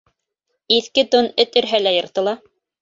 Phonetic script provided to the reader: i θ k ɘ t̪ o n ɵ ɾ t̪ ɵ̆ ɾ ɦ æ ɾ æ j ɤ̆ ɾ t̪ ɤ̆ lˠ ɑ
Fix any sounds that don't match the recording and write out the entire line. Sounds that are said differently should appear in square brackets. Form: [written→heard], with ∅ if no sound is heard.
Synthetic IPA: i θ k ɘ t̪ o n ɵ [ɾ→∅] t̪ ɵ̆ ɾ ɦ æ [ɾ→l] æ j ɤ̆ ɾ t̪ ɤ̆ lˠ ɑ